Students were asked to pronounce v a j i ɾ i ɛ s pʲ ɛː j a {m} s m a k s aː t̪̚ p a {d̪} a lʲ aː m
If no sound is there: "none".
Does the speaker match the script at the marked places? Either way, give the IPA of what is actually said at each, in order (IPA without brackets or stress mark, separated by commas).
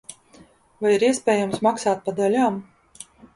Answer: m, d̪